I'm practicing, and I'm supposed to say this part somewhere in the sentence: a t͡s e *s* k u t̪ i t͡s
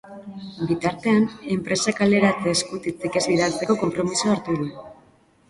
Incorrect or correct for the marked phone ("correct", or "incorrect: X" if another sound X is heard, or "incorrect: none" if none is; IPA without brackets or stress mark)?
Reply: correct